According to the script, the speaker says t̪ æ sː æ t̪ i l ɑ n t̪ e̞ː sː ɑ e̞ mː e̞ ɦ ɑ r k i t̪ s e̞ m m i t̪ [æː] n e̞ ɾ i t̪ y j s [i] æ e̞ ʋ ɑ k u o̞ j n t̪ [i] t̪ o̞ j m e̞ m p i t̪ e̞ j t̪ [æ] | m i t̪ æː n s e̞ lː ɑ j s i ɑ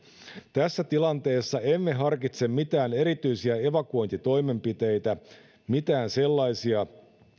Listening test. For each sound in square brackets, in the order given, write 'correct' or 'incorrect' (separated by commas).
correct, correct, correct, correct